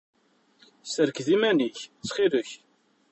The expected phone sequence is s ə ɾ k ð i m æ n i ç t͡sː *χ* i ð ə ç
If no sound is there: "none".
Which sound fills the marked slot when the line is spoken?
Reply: χ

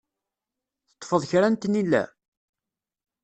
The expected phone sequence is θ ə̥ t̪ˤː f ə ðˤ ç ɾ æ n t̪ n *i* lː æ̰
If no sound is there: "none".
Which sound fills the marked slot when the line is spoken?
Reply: i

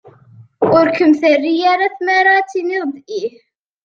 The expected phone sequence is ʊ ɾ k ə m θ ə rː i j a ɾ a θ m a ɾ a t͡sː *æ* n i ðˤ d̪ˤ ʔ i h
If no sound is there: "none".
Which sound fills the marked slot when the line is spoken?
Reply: i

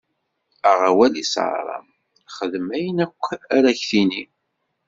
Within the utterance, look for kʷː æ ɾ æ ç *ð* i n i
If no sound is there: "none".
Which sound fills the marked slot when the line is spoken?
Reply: θ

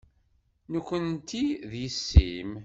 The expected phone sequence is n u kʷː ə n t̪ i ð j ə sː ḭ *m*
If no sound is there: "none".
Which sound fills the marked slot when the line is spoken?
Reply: m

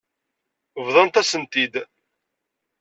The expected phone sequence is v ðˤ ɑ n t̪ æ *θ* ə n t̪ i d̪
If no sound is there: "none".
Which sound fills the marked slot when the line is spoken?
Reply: s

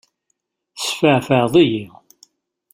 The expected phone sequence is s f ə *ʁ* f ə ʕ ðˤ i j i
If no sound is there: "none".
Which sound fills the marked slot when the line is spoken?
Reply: ʕ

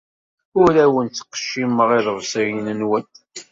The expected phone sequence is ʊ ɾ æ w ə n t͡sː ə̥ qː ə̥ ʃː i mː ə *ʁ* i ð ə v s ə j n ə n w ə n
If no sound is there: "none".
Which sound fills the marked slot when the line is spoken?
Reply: ʁ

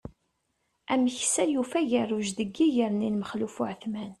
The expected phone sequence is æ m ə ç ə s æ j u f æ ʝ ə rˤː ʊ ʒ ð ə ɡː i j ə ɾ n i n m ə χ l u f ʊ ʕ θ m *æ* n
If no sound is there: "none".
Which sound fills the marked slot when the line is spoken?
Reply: æ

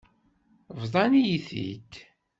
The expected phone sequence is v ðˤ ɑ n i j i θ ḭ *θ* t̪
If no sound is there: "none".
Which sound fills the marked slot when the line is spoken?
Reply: none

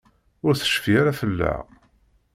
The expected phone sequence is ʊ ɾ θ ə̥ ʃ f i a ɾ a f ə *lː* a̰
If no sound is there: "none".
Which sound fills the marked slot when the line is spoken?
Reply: lː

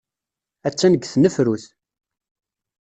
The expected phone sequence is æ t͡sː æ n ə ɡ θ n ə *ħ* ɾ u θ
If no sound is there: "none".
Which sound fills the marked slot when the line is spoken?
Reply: f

